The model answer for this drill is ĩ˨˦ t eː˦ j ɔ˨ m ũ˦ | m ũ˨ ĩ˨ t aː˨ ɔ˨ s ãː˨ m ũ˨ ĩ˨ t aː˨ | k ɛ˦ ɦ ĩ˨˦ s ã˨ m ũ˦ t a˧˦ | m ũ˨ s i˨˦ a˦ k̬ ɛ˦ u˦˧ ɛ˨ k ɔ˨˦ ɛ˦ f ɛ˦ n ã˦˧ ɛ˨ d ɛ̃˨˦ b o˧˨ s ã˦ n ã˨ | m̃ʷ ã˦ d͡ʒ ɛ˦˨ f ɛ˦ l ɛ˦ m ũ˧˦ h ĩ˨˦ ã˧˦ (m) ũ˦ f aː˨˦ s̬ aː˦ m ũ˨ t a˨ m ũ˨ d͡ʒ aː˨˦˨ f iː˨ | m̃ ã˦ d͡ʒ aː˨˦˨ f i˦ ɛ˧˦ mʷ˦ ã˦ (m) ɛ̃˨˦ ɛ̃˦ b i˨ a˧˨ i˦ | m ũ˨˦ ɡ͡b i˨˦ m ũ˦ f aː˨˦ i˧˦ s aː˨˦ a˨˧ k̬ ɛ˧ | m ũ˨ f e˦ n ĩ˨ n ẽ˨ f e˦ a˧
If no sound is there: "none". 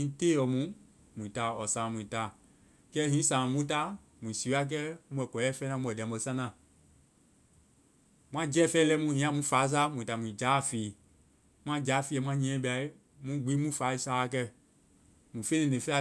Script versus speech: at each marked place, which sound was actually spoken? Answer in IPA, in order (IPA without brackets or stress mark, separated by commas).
m, ɲ